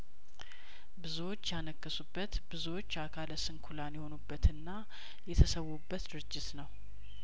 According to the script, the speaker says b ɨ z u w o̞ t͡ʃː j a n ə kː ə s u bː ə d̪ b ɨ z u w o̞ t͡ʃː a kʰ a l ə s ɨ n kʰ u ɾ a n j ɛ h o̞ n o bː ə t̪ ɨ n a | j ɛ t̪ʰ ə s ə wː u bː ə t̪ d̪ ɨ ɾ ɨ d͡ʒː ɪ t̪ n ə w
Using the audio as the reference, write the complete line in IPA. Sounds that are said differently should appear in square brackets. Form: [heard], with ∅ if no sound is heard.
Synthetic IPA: b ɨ z u w o̞ t͡ʃː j a n ə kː ə s u bː ə [t̪] b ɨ z u w o̞ t͡ʃː a kʰ a l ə s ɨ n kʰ u [l] a n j ɛ h o̞ n [u] bː ə t̪ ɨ [nː] a | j ɛ t̪ʰ ə s ə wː u bː ə t̪ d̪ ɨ ɾ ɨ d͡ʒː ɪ t̪ n ə w